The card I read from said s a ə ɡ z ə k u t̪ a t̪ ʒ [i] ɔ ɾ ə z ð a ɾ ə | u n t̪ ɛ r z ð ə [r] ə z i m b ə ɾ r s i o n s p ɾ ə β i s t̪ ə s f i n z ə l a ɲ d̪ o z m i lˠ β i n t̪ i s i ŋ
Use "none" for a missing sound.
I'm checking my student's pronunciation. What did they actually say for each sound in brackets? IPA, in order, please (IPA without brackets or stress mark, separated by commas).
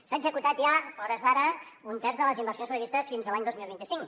a, l